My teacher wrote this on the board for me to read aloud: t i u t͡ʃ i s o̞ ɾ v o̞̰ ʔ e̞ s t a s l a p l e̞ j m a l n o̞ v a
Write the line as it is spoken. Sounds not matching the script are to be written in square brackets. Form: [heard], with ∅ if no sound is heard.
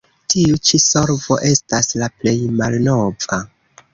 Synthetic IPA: t i u t͡ʃ i s o̞ ɾ v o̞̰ ʔ e̞ s t a s l a p l e̞ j m a l n o̞ v a